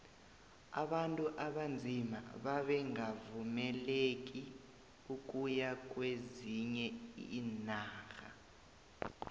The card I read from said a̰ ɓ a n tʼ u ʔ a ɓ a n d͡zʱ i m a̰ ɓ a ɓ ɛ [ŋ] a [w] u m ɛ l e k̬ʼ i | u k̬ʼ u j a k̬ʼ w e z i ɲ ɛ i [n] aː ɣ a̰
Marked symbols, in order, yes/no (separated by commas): yes, no, yes